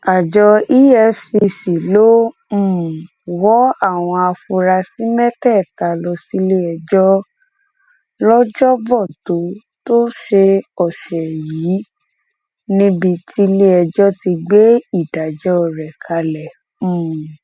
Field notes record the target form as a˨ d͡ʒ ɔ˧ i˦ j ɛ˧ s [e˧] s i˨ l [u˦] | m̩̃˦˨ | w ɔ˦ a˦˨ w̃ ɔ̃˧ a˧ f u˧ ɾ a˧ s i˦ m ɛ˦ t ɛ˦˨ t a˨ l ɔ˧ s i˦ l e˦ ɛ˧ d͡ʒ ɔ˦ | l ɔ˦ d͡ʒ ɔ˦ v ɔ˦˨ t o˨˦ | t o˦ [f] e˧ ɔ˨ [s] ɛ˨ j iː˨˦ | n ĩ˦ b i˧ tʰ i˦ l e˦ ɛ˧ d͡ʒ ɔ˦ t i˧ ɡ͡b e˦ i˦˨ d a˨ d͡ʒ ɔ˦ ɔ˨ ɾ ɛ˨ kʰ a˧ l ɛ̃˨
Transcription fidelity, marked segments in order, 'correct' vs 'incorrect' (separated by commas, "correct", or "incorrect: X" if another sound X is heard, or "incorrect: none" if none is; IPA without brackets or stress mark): incorrect: i˧, incorrect: o˦, incorrect: ʃ, incorrect: ʃ